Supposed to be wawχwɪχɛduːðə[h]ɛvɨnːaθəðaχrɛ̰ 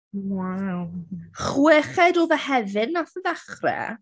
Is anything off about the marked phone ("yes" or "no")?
no